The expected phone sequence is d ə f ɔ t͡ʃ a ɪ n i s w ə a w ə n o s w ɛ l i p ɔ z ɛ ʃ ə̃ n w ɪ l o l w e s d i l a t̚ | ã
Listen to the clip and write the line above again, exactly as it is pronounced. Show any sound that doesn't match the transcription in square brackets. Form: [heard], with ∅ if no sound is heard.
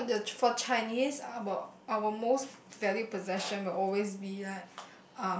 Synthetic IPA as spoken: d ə f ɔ t͡ʃ a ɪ n i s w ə a w ə [m] o s [v] ɛ l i p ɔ z ɛ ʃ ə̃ n w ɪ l [ɔ] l w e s [b] i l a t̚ | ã

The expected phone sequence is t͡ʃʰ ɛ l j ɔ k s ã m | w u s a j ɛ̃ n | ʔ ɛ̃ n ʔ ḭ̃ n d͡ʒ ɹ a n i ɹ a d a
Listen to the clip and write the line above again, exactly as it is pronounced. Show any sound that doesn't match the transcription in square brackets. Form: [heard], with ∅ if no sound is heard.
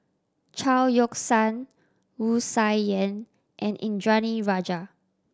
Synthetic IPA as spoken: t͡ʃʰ [a] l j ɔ k s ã [n] | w u s a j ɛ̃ n | ʔ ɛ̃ n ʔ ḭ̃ n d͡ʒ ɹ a n i ɹ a [d͡ʒ] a

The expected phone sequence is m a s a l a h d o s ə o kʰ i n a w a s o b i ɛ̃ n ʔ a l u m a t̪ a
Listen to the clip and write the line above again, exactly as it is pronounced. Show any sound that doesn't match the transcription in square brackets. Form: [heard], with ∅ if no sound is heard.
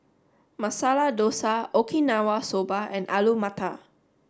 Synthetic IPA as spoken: m a s a l a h d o s [a] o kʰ i n a w a s o b [a] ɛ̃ n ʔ a l u m a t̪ a

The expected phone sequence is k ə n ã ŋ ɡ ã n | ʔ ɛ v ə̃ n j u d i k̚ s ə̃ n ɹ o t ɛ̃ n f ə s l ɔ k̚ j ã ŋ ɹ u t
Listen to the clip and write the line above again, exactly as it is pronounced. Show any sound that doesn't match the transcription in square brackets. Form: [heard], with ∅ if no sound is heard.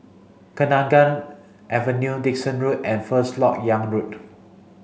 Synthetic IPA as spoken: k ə n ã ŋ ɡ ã n | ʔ ɛ v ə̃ n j u d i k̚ s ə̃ n ɹ [u] t ɛ̃ n f ə s l ɔ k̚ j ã ŋ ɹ u t

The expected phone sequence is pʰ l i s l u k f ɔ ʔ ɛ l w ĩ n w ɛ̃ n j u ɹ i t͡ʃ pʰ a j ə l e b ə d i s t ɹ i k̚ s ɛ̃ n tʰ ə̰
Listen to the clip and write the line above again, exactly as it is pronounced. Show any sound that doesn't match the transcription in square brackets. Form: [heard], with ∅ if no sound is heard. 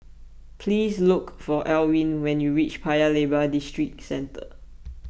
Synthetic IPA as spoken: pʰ l i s l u k f ɔ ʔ ɛ l w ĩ n w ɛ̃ n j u ɹ i t͡ʃ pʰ a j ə l e b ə d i s t ɹ i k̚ s ɛ̃ n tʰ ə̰

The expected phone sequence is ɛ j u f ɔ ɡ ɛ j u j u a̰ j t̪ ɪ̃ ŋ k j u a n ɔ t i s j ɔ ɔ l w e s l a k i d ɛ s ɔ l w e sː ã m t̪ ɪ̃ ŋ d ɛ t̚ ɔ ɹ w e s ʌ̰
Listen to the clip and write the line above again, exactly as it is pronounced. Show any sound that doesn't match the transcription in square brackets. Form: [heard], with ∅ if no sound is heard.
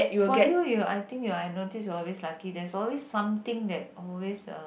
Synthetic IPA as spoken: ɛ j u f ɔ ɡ ɛ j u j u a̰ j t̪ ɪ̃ ŋ k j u a n [o] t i s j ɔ ɔ l w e s l a k i d ɛ s ɔ l w e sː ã m t̪ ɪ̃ ŋ d ɛ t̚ ɔ [l] w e s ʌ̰

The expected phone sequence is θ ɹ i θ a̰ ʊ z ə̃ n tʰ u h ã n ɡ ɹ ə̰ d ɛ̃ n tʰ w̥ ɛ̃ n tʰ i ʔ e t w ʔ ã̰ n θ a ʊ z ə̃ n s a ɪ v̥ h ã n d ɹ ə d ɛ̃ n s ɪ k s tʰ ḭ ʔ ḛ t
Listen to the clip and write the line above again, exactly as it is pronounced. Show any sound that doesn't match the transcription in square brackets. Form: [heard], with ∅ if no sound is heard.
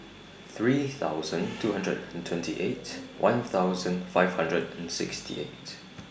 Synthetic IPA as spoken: θ ɹ i θ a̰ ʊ z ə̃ n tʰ u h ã n [d] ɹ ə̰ d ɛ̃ n tʰ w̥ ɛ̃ n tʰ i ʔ e t w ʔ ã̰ n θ a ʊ z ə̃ n [f] a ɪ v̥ h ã n d ɹ ə d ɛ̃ n s ɪ k s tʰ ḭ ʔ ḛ t

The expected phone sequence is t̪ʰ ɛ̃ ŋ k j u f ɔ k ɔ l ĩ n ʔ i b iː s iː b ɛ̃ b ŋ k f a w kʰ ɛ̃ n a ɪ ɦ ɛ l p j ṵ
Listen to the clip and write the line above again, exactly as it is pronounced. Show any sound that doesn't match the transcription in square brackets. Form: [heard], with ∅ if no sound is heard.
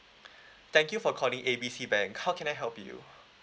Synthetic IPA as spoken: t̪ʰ ɛ̃ ŋ k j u f ɔ [kʰ] ɔ l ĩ [ŋ] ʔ [e] b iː s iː b ɛ̃ [∅] ŋ k [h] a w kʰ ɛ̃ n a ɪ ɦ ɛ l p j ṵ

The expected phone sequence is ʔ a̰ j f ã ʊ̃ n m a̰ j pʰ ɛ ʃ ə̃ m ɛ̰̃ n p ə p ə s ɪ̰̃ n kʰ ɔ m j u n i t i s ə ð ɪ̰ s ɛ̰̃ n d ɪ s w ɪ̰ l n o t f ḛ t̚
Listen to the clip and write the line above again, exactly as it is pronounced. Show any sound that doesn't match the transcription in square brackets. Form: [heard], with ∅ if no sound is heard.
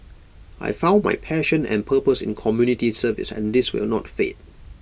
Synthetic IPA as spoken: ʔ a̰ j f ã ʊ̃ n m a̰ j pʰ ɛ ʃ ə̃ [n] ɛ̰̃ n [pʰ] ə p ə s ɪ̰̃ n kʰ ɔ m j u n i t i s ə [v] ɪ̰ s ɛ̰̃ n d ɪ s w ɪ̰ l n [ɔ] t f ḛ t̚

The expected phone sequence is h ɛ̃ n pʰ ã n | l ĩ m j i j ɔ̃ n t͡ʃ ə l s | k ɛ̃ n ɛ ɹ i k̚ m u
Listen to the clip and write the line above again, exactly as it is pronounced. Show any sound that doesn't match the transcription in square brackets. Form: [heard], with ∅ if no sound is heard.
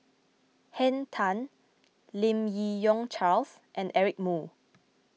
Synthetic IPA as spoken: h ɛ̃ n [tʰ] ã n | l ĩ m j i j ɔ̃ [ŋ] t͡ʃ [a] l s | [ʔ] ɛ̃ n ɛ ɹ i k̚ m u

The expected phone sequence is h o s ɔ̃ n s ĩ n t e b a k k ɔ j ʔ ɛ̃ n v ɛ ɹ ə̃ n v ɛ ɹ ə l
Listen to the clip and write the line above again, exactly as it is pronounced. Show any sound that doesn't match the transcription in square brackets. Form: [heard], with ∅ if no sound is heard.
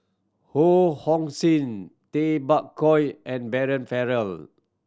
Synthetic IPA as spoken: h o [h] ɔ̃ [ŋ] s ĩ n t e b a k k ɔ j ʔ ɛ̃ n [b] ɛ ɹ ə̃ n [f] ɛ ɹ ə l

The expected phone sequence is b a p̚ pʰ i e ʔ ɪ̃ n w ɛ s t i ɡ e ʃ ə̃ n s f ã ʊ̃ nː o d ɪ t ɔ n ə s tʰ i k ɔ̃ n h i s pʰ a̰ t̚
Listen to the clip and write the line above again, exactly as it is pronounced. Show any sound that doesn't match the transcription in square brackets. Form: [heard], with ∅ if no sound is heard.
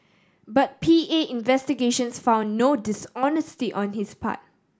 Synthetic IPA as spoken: b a [t̚] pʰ i e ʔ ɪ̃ n [v] ɛ s t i ɡ e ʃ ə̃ n s f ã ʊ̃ nː o d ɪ [s] ɔ n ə s [t] i [ʔ] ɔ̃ n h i s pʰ a̰ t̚

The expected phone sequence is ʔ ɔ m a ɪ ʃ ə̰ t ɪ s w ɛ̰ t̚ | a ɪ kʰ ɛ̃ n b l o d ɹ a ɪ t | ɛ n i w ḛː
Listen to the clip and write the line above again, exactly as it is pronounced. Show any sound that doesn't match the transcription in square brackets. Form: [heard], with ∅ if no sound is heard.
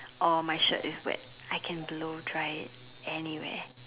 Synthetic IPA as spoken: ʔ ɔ m a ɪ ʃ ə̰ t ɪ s w ɛ̰ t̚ | a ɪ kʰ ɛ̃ n b l o d ɹ a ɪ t | ɛ n i w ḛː

